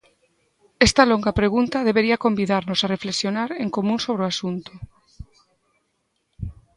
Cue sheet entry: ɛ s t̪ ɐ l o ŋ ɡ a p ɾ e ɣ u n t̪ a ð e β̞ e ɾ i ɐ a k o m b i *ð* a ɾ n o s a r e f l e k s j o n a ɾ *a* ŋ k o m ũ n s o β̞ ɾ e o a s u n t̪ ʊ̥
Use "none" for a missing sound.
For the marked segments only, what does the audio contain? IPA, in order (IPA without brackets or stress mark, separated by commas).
ð, e